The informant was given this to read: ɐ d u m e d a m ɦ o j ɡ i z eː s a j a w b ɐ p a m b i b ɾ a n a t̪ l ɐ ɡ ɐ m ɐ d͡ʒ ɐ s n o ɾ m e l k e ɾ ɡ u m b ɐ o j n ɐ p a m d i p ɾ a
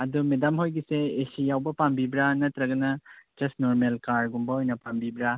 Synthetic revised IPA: ɐ d u m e d a m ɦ o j ɡ i s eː s i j a w b ɐ p a m b i b ɾ a n ɐ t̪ ɾ ɐ ɡ ɐ n ɐ d͡ʒ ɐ s n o ɾ m e l k a ɾ ɡ u m b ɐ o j n ɐ p a m b i b ɾ a